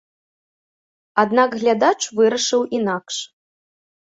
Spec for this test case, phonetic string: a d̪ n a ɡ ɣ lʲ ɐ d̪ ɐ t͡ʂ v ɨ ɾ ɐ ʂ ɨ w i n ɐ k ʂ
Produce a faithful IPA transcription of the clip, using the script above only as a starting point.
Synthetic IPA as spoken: a d̪ n a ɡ ɣ lʲ a d̪ a t͡ʂ v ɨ ɾ ɐ ʂ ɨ w i n a k ʂ